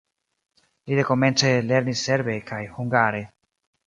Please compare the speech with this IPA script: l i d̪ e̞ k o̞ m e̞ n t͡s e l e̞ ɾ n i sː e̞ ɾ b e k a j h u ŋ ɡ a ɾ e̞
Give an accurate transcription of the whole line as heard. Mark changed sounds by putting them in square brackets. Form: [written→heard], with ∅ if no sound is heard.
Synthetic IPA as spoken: l i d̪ e̞ k o̞ m e̞ n t͡s e l e̞ ɾ n i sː e̞ ɾ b e k a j h u ŋ ɡ a ɾ e̞